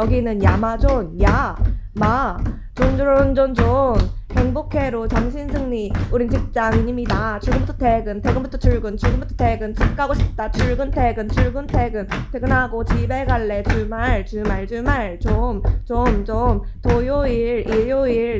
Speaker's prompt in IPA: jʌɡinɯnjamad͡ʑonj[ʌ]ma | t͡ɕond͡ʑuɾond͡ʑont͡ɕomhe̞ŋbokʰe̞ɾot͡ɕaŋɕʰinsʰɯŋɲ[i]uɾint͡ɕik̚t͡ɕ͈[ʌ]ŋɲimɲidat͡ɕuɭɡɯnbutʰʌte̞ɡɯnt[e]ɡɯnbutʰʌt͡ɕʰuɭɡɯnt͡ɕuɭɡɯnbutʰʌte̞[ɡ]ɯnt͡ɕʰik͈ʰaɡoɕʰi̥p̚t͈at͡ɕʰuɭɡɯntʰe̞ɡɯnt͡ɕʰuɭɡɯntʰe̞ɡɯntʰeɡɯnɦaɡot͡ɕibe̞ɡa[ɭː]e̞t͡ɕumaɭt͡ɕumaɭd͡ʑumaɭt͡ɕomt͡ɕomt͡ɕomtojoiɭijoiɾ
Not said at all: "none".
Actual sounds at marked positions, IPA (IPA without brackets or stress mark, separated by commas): a, i, a, e, ɡ, ɭː